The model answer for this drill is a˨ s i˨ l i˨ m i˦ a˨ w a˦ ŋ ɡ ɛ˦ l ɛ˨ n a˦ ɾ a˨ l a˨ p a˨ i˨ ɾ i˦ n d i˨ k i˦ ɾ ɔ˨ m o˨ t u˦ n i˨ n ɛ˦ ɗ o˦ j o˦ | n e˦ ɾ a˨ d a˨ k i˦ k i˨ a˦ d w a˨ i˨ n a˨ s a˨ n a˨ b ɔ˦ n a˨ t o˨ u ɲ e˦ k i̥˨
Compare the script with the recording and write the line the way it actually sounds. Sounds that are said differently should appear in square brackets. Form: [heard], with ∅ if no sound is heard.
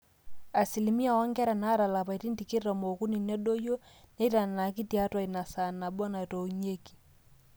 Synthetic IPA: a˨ s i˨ l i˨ m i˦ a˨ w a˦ ŋ ɡ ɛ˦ [ɾ] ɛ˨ n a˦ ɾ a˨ l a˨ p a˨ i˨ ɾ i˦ n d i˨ k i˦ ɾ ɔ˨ m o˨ [k] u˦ n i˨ n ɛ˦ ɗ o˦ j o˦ | n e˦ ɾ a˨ [n] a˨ k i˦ [t] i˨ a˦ [t] w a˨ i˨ n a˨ s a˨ n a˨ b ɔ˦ n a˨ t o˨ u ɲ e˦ k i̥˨